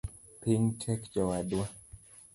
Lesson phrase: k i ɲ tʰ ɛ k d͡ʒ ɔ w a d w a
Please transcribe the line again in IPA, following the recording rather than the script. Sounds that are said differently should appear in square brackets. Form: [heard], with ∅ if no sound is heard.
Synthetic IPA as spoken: [p] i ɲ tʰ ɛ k d͡ʒ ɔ w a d w a